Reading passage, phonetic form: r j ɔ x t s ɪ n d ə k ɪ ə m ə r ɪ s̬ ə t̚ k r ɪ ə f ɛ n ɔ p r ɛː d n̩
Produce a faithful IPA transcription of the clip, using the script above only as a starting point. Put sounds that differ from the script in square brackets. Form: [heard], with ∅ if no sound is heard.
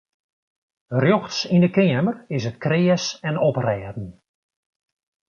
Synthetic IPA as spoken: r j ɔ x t s [i] n d ə k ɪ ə m ə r ɪ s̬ ə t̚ k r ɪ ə [s] ɛ n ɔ p r ɛː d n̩